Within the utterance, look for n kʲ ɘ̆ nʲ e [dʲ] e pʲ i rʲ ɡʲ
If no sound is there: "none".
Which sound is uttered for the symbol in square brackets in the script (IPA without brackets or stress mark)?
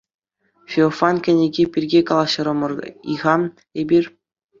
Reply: ɡʲ